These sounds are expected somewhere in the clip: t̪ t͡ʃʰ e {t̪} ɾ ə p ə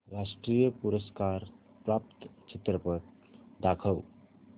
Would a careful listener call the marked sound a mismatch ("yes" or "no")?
no